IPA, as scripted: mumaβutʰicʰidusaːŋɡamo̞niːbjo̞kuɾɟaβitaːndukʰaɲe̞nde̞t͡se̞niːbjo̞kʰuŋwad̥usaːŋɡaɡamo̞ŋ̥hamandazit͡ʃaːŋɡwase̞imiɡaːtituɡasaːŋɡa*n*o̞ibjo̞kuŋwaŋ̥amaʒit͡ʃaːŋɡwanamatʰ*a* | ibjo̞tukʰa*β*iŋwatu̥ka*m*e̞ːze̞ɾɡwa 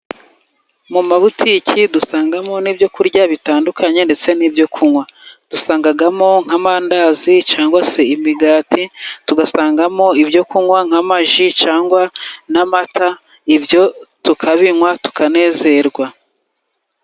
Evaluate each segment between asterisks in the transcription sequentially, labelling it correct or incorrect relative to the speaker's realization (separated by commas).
incorrect, correct, correct, incorrect